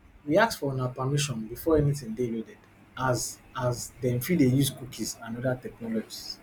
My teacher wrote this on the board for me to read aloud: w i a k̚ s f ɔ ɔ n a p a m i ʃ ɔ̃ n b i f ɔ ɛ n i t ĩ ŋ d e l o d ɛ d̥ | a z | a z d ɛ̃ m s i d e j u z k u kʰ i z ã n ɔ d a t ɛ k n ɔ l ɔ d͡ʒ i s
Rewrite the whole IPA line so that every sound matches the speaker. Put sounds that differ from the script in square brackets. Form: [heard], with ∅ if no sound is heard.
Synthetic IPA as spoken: w i a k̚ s f ɔ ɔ n a p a m i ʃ ɔ̃ n b i f ɔ ɛ n i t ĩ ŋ d e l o d ɛ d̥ | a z | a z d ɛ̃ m [f] i d e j u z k u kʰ i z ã n ɔ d a t ɛ k n ɔ l ɔ d͡ʒ i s